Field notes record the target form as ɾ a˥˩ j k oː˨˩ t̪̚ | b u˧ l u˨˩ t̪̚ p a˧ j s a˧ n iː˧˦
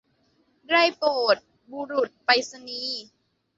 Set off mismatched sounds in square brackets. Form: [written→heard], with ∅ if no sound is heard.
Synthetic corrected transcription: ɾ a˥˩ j [k→p] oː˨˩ t̪̚ | b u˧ [l→ɾ] u˨˩ t̪̚ p a˧ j s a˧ n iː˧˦